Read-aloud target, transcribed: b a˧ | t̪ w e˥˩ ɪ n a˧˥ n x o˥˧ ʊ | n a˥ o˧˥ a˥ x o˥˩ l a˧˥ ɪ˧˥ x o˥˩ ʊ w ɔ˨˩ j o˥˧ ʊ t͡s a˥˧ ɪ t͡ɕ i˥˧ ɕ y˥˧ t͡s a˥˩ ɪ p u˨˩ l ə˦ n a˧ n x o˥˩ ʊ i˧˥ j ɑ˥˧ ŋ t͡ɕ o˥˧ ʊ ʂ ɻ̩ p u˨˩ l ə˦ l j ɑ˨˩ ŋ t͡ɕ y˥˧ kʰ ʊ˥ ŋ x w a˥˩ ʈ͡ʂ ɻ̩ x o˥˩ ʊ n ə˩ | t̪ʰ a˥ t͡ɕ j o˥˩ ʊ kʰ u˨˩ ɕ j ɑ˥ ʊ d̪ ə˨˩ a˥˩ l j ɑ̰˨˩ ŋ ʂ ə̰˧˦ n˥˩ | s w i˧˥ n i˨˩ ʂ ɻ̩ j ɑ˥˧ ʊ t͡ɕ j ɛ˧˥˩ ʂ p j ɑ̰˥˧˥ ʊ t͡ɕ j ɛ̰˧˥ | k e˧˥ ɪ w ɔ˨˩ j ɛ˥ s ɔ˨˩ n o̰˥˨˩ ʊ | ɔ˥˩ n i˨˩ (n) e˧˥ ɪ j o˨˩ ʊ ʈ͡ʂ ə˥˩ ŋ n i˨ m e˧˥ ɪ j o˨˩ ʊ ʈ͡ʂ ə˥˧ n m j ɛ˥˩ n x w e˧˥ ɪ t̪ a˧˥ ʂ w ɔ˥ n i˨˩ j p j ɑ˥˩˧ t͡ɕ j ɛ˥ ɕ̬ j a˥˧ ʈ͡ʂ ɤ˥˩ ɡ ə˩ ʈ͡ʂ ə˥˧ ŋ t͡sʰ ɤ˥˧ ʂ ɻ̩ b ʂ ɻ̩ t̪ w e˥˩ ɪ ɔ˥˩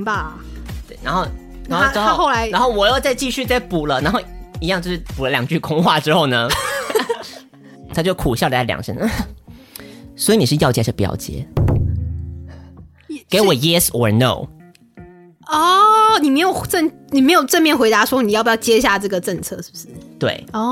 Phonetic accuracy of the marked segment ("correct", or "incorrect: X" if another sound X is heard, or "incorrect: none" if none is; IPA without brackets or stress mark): incorrect: m